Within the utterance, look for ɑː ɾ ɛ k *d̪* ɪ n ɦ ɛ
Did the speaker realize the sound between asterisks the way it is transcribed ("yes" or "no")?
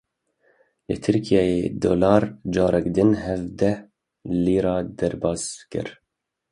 yes